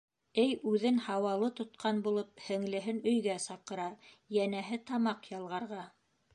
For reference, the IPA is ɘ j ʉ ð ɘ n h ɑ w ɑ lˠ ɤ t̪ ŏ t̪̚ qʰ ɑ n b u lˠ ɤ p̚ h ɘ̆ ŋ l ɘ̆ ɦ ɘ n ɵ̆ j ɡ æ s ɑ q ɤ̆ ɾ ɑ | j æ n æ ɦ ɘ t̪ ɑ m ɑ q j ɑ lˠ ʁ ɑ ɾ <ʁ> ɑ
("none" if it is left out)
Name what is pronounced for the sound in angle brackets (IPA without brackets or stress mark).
ʁ